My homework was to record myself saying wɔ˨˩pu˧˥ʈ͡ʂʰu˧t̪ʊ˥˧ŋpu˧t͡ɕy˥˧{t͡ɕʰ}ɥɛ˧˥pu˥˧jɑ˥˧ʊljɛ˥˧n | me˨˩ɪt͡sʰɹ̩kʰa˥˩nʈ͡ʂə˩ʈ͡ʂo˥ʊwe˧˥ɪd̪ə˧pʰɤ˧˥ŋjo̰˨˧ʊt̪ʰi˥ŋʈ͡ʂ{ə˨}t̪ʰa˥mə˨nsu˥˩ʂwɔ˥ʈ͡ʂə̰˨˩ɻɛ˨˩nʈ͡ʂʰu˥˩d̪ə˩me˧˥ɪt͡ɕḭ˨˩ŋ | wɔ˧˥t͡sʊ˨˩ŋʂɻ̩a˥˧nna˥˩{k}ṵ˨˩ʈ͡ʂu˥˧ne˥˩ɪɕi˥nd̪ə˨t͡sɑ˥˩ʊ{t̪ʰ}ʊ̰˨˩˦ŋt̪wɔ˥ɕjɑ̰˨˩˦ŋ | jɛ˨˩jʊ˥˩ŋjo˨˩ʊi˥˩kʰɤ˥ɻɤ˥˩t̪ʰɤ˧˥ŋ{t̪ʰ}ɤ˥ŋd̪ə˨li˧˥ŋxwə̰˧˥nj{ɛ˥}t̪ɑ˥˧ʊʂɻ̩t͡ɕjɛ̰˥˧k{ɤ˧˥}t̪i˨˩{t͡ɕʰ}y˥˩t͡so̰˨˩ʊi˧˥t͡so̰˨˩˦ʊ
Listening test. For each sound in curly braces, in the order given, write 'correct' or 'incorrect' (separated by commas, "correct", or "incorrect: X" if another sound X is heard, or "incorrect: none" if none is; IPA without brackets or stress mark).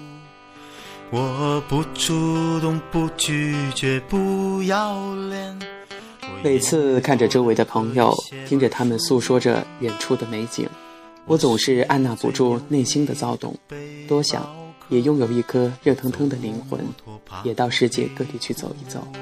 incorrect: t͡ɕ, correct, incorrect: p, incorrect: t̪, correct, incorrect: ɛ˨˩, incorrect: ɤ˥˧, correct